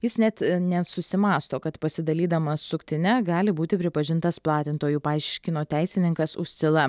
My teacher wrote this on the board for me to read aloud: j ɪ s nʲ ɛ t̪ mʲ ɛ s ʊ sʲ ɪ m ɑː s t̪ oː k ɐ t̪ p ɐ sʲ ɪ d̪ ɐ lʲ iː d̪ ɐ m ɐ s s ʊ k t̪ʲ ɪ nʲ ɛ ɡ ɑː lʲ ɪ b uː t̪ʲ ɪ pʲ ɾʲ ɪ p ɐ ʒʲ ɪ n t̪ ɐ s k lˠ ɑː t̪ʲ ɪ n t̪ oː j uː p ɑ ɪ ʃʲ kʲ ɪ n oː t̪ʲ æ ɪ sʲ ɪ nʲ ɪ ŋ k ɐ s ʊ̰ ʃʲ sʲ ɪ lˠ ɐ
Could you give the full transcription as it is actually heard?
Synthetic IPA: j ɪ s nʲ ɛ t̪ nʲ ɛ s ʊ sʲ ɪ m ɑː s t̪ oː k ɐ t̪ p ɐ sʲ ɪ d̪ ɐ lʲ iː d̪ ɐ m ɐ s s ʊ k t̪ʲ ɪ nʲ ɛ ɡ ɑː lʲ ɪ b uː t̪ʲ ɪ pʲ ɾʲ ɪ p ɐ ʒʲ ɪ n t̪ ɐ s p lˠ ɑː t̪ʲ ɪ n t̪ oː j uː p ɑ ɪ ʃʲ kʲ ɪ n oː t̪ʲ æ ɪ sʲ ɪ nʲ ɪ ŋ k ɐ s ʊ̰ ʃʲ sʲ ɪ lˠ ɐ

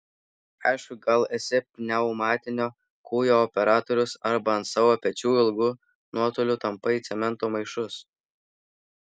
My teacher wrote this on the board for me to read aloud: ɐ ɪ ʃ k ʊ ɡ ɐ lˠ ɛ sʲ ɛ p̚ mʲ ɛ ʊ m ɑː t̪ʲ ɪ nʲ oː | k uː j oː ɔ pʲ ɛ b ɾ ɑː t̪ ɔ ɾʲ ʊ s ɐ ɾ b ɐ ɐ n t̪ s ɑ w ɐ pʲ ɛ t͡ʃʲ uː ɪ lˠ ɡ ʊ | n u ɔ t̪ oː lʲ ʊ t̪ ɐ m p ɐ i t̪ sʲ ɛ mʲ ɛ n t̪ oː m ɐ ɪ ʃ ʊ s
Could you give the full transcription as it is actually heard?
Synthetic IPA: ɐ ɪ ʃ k ʊ ɡ ɐ lˠ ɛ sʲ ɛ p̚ nʲ ɛ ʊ m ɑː t̪ʲ ɪ nʲ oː | k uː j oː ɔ pʲ ɛ ɾ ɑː t̪ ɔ ɾʲ ʊ s ɐ ɾ b ɐ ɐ n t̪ s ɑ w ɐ pʲ ɛ t͡ʃʲ uː ɪ lˠ ɡ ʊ | n u ɔ t̪ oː lʲ ʊ t̪ ɐ m p ɐ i t̪ sʲ ɛ mʲ ɛ n t̪ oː m ɐ ɪ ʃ ʊ s

